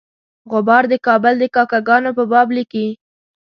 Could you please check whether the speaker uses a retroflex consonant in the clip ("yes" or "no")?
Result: no